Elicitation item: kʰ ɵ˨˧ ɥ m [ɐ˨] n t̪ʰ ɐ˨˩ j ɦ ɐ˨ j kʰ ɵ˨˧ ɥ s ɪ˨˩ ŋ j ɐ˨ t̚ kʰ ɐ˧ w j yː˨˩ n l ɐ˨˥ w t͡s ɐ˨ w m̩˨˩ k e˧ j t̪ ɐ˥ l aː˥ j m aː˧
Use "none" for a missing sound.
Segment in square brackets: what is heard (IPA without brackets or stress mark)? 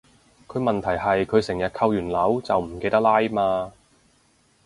ɐ˨